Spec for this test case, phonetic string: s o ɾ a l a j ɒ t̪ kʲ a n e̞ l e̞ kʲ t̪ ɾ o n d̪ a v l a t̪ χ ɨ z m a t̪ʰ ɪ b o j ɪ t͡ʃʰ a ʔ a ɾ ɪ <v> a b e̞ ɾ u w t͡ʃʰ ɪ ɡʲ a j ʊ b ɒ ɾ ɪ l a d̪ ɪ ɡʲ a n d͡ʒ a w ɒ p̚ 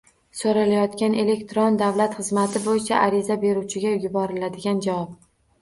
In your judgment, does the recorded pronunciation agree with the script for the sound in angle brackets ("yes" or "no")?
no